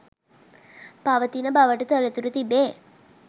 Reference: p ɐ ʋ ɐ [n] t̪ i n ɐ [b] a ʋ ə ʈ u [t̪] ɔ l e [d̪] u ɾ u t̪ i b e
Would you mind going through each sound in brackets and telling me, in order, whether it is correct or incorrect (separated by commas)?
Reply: incorrect, correct, correct, incorrect